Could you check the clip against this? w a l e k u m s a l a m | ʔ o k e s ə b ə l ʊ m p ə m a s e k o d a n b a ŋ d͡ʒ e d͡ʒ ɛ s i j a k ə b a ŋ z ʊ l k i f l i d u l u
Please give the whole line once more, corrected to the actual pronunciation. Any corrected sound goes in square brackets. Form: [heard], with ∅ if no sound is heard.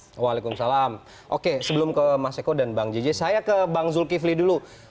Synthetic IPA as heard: w a l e k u m s a l a m | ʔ o k e s ə b ə l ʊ m [k] ə m a s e k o d a n b a ŋ d͡ʒ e d͡ʒ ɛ s [a] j a k ə b a ŋ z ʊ l k i f l i d u l u